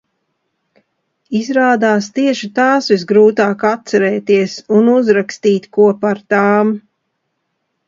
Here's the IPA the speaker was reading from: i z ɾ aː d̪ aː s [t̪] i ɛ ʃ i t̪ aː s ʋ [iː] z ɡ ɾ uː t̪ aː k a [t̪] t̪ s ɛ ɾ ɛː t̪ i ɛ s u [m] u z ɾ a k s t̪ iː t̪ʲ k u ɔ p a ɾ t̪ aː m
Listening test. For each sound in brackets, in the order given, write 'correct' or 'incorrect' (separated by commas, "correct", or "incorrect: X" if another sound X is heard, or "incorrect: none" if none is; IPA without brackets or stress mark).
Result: correct, incorrect: i, correct, incorrect: n